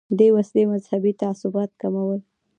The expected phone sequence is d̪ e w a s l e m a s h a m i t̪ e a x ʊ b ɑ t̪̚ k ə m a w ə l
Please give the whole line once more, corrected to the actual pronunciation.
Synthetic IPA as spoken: d̪ e w a s l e m a z h a b i t̪ a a s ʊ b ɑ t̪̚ k a m a w ə l